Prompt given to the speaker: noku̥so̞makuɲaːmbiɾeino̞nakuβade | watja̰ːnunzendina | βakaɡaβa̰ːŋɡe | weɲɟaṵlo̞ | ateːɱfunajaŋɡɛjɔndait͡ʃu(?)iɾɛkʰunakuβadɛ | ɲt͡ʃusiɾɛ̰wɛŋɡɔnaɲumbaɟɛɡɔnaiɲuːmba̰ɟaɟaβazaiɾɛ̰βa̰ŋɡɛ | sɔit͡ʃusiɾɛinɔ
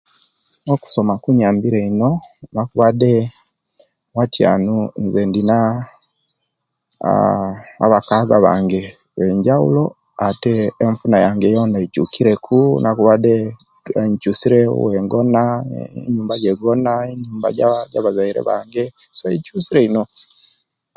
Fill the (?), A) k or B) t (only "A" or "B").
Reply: A